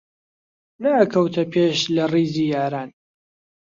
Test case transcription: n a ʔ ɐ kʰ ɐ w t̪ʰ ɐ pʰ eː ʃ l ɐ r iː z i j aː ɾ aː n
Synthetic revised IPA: n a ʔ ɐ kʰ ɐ w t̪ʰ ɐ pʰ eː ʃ l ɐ r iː z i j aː ɾ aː n